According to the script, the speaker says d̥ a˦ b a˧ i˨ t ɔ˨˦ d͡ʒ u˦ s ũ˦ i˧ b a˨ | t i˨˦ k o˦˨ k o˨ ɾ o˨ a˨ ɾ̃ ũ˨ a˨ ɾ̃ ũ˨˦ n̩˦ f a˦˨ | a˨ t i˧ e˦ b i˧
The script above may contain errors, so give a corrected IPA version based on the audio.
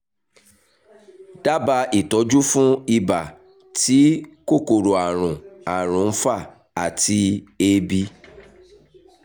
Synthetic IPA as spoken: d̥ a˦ b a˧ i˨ t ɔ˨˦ d͡ʒ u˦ f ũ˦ i˧ b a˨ | t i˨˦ k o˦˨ k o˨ ɾ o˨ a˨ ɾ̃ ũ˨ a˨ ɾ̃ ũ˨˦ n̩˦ f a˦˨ | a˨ t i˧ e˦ b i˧